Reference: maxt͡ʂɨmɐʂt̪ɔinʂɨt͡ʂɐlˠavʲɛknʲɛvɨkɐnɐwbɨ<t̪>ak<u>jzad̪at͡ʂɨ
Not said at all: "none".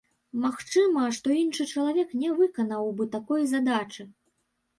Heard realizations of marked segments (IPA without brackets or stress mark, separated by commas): t̪, ɔ